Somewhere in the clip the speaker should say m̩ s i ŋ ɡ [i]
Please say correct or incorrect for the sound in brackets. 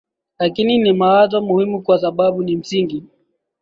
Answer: correct